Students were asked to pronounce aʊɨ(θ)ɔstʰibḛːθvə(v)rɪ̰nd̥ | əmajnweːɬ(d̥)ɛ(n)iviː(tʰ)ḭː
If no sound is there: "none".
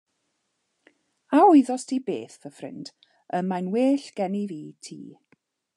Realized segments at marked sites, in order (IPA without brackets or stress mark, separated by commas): ð, f, ɡ̥, n, tʰ